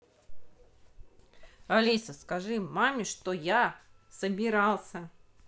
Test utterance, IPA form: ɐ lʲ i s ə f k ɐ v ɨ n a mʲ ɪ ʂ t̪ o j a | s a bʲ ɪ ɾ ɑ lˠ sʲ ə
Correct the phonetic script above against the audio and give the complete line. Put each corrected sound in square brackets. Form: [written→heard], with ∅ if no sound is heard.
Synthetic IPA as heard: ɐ lʲ i s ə [f→s] k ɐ [v→ʐ] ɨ [n→m] a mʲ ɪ ʂ t̪ o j a | s [a→ə] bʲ ɪ ɾ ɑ lˠ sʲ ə

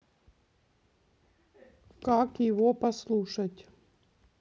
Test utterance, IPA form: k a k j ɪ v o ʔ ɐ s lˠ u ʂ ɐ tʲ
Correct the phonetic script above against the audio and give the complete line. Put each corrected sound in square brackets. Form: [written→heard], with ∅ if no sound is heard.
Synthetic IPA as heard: k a k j ɪ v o [ʔ→p] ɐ s lˠ u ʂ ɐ tʲ

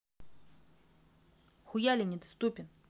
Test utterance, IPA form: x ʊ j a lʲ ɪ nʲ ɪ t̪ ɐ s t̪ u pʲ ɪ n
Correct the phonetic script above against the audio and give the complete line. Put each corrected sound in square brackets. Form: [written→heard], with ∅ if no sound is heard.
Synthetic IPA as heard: x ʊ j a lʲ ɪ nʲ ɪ [t̪→d̪] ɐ s t̪ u pʲ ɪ n

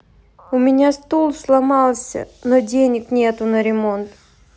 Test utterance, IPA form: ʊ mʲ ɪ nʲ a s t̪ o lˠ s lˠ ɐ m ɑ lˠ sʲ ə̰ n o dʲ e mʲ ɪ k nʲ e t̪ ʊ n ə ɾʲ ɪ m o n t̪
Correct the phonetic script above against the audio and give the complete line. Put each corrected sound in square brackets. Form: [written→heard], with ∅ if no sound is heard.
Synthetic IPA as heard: ʊ mʲ ɪ nʲ a s t̪ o lˠ s lˠ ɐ m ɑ lˠ sʲ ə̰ n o dʲ e [mʲ→nʲ] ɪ k nʲ e t̪ ʊ n ə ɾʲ ɪ m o n t̪

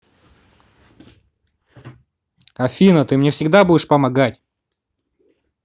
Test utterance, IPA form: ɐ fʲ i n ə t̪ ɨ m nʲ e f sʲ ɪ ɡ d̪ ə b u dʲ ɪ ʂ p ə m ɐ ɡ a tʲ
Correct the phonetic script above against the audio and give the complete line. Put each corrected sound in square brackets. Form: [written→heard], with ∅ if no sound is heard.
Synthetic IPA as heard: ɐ fʲ i n ə t̪ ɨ m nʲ e f sʲ ɪ ɡ d̪ [ə→a] b u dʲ ɪ ʂ p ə m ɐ ɡ a tʲ

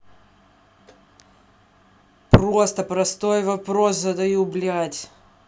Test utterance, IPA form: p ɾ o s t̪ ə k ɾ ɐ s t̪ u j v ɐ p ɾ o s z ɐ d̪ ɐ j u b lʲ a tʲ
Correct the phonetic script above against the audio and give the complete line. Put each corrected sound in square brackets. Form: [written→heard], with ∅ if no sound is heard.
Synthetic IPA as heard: p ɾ o s t̪ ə [k→p] ɾ ɐ s t̪ [u→o] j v ɐ p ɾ o s z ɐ d̪ ɐ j u b lʲ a tʲ

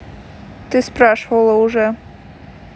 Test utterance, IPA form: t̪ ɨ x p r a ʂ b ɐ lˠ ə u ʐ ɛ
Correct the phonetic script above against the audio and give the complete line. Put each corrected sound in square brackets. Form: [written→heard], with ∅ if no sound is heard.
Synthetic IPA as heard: t̪ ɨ [x→s] p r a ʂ [b→v] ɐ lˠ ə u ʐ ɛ

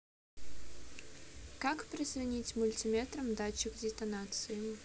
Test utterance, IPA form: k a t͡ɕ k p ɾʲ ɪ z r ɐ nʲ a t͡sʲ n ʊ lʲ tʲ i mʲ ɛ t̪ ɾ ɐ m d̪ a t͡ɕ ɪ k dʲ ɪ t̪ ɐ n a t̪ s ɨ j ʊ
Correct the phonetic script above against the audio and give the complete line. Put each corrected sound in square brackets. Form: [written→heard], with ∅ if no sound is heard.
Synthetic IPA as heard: k a [t͡ɕ→∅] k p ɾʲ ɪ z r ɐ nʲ [a→i] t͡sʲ [n→m] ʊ lʲ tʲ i mʲ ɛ t̪ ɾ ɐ m d̪ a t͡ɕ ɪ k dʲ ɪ t̪ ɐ n a t̪ s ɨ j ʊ

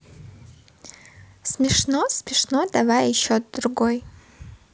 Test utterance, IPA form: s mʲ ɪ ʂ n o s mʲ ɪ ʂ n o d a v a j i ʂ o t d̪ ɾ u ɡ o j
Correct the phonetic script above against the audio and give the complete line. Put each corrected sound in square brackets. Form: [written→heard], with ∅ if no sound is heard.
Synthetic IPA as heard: s mʲ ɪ ʂ n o s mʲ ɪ ʂ n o d a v a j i [ʂ→ʃ] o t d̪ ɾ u ɡ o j

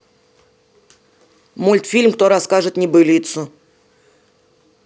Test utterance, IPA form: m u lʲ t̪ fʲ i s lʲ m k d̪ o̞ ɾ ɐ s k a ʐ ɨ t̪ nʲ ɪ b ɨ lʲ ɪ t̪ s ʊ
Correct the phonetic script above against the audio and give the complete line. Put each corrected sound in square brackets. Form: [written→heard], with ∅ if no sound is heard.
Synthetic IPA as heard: m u lʲ t̪ fʲ i [s→∅] lʲ m k [d̪→t̪] o̞ ɾ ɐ s k a ʐ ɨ t̪ nʲ ɪ b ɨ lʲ [ɪ→i] t̪ s ʊ

